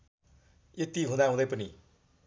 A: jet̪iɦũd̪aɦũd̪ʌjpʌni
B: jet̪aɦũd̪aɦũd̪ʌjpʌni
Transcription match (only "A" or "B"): A